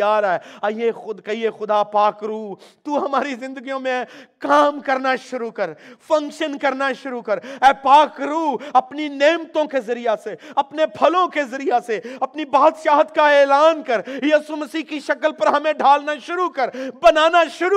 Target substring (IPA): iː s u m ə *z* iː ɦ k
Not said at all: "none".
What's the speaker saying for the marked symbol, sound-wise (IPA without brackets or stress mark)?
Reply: s